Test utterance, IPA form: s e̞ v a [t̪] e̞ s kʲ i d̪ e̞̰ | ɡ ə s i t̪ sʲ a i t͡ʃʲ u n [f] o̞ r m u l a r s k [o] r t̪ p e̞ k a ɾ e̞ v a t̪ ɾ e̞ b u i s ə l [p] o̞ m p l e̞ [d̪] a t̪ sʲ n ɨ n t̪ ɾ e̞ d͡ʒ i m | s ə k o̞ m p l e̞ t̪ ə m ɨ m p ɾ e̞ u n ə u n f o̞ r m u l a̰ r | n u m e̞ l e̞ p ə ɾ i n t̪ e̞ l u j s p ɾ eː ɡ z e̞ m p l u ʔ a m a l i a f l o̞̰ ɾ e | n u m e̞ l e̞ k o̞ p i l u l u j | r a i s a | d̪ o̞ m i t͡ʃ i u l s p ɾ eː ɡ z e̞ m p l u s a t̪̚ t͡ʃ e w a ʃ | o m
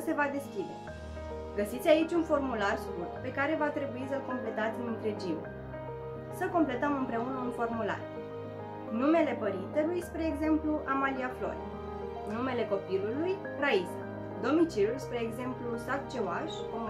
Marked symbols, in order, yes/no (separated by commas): no, yes, no, no, no